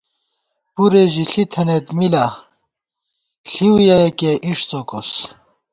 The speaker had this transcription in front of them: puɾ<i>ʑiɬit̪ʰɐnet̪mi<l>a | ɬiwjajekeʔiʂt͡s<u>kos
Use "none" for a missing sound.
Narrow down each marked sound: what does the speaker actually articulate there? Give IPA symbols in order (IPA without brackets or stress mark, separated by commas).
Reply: e, l, o